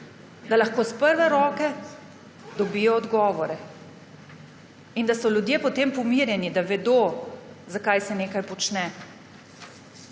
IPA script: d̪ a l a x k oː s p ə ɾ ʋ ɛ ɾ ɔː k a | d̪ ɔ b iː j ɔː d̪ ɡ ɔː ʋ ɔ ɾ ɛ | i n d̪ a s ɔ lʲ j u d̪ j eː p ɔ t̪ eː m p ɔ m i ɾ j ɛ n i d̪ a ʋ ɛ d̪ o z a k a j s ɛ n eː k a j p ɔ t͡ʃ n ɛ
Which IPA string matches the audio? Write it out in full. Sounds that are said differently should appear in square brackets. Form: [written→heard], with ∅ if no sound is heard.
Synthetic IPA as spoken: d̪ a l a x k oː s p ə ɾ ʋ ɛ ɾ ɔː k [a→ɛ] | d̪ ɔ b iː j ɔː d̪ ɡ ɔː ʋ ɔ ɾ ɛ | i n d̪ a s ɔ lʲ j u d̪ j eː p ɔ t̪ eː m p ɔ m i ɾ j ɛ n i d̪ a ʋ ɛ d̪ o z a k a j s ɛ n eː k a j p ɔ t͡ʃ n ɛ